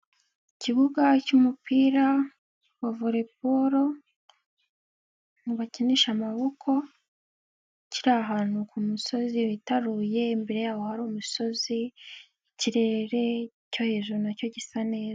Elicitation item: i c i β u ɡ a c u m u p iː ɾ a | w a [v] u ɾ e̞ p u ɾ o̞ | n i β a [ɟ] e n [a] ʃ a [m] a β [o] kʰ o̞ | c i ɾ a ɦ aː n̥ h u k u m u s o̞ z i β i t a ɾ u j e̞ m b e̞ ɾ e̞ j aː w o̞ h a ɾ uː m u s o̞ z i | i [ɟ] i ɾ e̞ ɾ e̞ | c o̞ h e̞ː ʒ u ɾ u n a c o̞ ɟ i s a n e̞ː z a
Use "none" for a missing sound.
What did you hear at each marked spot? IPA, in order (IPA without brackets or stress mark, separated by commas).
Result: v, c, i, m, o, c